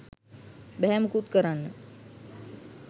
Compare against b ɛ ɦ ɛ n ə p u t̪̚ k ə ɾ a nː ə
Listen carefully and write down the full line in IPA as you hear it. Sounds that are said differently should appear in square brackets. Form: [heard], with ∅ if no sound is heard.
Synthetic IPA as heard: b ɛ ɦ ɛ [m] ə [k] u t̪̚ k ə ɾ a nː ə